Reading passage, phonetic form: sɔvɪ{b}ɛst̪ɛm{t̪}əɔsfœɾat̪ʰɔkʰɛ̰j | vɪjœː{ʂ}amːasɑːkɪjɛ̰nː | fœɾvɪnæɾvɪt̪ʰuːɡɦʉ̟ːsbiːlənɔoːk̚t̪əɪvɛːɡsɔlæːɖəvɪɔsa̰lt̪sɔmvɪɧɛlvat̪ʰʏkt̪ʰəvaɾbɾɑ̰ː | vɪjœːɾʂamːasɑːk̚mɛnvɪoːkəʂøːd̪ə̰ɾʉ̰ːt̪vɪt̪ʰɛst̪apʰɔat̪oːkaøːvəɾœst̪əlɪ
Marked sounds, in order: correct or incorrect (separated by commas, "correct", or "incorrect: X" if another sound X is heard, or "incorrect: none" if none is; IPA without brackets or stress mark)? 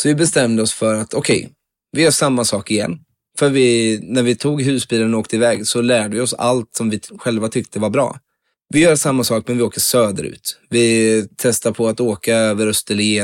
correct, incorrect: d̪, correct